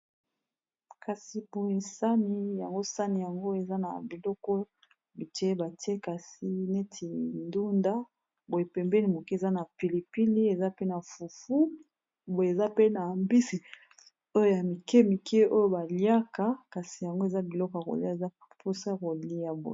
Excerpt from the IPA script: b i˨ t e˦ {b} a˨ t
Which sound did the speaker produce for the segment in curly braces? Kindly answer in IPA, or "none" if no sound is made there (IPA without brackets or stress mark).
b